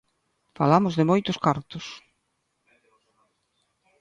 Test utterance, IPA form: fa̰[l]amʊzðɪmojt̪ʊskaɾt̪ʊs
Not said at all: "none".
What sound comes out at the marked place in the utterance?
l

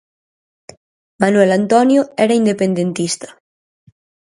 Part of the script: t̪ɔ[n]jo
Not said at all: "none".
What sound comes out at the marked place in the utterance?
n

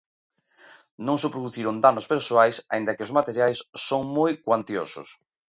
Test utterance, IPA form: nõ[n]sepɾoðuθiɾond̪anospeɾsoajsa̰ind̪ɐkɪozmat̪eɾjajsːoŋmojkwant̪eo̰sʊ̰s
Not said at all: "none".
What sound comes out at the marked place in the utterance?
ŋ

